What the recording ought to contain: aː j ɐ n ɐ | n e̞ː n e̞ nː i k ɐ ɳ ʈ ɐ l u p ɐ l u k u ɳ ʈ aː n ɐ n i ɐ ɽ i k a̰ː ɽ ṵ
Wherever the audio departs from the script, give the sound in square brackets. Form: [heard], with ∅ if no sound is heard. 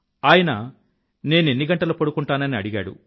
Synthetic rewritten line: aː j ɐ n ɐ | n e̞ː n e̞ nː i [ɡ] ɐ ɳ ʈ ɐ l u p ɐ [ɽ] u k u ɳ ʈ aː n ɐ n i ɐ ɽ i [ɡ] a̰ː ɽ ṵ

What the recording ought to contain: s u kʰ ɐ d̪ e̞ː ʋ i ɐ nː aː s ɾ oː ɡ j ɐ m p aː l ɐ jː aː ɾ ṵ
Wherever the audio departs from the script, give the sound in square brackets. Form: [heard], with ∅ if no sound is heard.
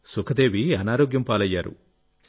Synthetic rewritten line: s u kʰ ɐ d̪ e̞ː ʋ i ɐ [n] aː [∅] ɾ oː ɡ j ɐ m p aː l ɐ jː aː ɾ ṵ

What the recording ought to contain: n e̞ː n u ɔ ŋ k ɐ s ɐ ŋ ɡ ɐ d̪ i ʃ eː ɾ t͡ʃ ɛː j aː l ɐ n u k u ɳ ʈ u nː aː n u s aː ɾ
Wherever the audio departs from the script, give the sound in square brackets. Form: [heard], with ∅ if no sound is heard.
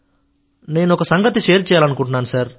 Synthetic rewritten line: n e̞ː n u ɔ [∅] k ɐ s ɐ ŋ ɡ ɐ [t̪] i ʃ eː ɾ t͡ʃ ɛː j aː l ɐ n u k u ɳ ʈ u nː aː n u s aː ɾ

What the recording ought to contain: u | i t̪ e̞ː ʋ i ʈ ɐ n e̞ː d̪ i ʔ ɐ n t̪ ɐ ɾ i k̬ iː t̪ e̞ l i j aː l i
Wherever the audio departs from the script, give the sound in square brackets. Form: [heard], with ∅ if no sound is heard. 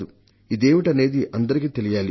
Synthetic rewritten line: u | i [d̪] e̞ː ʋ i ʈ ɐ n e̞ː d̪ i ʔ ɐ n [d̪] ɐ ɾ i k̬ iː t̪ e̞ l i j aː l i

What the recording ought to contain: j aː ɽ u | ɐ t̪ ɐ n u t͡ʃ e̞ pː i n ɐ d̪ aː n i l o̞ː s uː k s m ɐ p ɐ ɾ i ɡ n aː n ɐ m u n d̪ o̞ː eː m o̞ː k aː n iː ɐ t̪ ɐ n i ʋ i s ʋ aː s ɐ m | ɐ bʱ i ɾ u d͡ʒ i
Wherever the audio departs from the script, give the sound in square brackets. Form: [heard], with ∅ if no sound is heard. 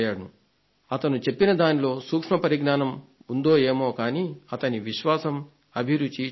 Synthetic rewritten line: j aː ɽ u | ɐ t̪ ɐ n u t͡ʃ e̞ pː i n ɐ d̪ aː n i l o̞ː s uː k [ʂ] m ɐ p ɐ ɾ i ɡ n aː n ɐ m u n d̪ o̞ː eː m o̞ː k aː n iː ɐ t̪ ɐ n i ʋ i [ʃ] ʋ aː s ɐ m | ɐ bʱ i ɾ u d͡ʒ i

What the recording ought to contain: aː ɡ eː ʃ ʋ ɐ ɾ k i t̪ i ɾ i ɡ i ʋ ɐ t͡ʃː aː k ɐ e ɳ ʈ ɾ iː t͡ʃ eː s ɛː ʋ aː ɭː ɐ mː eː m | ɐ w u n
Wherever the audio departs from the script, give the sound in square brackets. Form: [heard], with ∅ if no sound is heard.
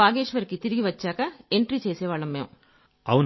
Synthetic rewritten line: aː ɡ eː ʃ ʋ ɐ ɾ k i t̪ i ɾ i ɡ i ʋ ɐ t͡ʃː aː k ɐ e ɳ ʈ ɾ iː t͡ʃ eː s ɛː ʋ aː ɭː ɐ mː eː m | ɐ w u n

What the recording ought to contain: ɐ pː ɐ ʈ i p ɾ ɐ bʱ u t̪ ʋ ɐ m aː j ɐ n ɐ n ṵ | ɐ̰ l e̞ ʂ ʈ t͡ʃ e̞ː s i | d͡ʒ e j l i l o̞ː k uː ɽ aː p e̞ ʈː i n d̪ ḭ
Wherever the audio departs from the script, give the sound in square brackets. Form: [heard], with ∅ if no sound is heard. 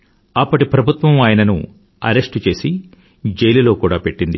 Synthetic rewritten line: ɐ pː ɐ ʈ i p ɾ ɐ bʱ u t̪ ʋ ɐ m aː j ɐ n ɐ n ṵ | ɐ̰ [ɾ] e̞ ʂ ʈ t͡ʃ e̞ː s i | d͡ʒ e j l i l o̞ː k uː ɽ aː p e̞ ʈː i n d̪ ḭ

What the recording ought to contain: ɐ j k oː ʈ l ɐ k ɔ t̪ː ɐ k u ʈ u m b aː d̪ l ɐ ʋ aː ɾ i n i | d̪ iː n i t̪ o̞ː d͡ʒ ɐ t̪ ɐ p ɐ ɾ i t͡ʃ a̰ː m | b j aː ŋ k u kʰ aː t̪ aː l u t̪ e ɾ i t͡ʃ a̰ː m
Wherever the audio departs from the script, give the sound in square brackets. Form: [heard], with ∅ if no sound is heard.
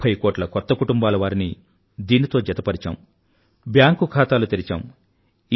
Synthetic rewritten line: ɐ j k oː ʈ l ɐ k ɔ t̪ː ɐ k u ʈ u m b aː [∅] l ɐ ʋ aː ɾ i n i | d̪ iː n i t̪ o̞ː d͡ʒ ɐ t̪ ɐ p ɐ ɾ i t͡ʃ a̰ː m | b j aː ŋ k u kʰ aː t̪ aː l u t̪ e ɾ i t͡ʃ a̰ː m

